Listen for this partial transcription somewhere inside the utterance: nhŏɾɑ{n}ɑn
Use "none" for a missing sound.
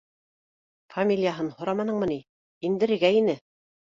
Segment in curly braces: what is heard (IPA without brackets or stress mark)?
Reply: m